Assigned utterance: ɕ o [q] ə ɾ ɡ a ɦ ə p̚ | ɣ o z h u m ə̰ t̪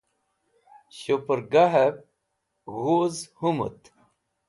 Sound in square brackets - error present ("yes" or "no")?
yes